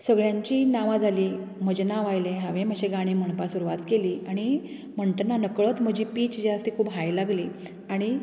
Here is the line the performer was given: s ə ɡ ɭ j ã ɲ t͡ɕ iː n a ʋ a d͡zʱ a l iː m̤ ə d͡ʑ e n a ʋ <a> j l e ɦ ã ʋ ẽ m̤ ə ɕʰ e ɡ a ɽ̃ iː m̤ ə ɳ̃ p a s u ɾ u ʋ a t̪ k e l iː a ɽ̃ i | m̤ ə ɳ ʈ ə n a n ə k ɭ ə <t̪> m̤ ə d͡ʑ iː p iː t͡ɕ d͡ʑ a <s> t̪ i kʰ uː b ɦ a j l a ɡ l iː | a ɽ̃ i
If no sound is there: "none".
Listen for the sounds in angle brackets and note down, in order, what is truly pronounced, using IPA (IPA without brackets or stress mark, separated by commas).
a, t̪, s